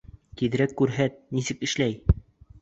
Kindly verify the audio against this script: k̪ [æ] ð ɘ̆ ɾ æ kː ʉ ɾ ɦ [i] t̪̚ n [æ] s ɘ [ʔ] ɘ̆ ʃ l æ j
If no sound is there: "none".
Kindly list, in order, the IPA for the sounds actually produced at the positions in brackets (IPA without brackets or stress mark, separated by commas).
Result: i, æ, i, k